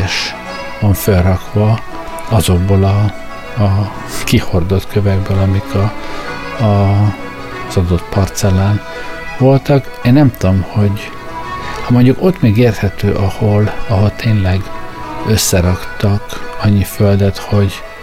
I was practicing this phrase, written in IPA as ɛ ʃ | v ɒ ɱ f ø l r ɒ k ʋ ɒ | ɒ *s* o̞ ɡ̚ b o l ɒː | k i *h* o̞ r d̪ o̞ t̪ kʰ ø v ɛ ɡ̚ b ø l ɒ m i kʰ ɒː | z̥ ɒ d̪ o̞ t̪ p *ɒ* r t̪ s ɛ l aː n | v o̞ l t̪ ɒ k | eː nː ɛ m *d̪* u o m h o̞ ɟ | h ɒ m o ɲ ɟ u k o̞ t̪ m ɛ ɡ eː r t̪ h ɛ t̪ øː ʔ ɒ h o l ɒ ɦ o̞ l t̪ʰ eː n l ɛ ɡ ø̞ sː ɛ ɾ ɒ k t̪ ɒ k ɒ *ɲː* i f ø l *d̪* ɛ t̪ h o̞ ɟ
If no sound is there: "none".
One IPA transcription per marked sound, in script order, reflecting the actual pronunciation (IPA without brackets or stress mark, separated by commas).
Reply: z, h, ɒ, t̪, ɲː, d̪